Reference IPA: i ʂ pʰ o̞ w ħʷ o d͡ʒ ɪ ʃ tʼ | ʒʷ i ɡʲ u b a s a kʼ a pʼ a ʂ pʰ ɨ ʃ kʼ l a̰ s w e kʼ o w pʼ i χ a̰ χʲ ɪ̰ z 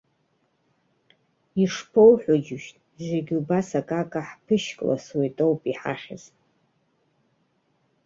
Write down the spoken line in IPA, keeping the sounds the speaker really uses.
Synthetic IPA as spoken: i ʂ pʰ o̞ w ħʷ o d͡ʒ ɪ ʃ tʼ | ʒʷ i ɡʲ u b a s a kʼ a kʼ a ħ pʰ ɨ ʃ kʼ l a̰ s w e tʼ o w pʼ i ħ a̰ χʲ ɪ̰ z